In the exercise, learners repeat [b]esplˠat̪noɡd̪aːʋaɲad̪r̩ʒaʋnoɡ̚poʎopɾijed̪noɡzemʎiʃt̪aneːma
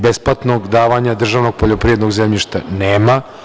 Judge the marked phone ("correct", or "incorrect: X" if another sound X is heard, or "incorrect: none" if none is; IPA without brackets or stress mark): correct